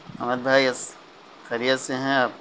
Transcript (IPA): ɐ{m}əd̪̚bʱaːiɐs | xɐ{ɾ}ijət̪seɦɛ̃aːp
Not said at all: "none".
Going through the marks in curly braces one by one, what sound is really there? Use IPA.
m, ɾ

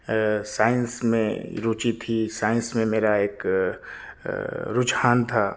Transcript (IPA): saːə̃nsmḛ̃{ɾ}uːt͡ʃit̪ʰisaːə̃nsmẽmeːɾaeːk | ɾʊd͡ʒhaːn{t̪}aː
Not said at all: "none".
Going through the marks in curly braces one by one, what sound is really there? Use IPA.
ɾ, t̪ʰ

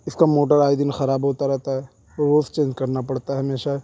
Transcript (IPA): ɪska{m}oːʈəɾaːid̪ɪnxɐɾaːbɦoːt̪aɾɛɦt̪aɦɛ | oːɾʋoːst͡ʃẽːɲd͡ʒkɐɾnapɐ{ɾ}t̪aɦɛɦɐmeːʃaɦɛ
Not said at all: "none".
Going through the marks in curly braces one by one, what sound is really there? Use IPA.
m, ɽ

